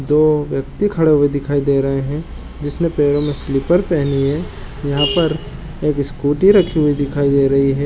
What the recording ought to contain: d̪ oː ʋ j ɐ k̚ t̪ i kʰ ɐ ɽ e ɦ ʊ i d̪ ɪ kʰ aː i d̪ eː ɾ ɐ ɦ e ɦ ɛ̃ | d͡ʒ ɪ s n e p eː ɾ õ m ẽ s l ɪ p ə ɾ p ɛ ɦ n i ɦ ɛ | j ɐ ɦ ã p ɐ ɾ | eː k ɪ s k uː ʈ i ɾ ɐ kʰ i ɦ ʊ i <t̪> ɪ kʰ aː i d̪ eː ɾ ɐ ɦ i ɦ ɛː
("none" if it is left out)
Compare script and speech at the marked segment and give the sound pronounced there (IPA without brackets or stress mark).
d̪